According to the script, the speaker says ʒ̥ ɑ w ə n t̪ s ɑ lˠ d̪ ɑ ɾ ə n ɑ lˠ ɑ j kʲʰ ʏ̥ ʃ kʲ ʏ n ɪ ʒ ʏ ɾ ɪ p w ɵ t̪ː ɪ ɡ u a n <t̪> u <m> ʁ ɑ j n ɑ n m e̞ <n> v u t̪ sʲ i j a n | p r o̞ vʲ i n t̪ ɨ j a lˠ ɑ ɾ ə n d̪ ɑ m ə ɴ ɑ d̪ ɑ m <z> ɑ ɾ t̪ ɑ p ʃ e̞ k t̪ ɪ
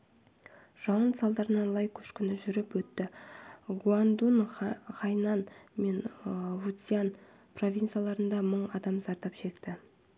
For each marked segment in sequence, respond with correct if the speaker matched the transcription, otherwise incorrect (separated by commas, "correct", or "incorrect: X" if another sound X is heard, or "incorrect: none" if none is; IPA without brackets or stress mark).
incorrect: d̪, incorrect: n, correct, correct